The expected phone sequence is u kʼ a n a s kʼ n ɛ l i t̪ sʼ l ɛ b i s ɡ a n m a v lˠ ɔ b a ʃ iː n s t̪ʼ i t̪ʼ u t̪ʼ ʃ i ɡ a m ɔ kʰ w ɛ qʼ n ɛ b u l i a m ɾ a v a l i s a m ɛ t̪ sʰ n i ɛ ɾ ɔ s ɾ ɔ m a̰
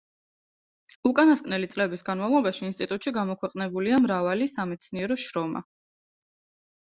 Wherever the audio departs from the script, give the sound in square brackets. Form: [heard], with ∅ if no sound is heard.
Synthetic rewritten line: u kʼ a n a s kʼ n ɛ l i t̪ sʼ l ɛ b i s ɡ a n m a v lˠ ɔ b a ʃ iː n s t̪ʼ i t̪ʼ u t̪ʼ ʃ i ɡ a m ɔ kʰ w ɛ qʼ n ɛ b u l i a m ɾ a v a l i s a m ɛ t̪ sʰ n i ɛ ɾ ɔ [ʃ] ɾ ɔ m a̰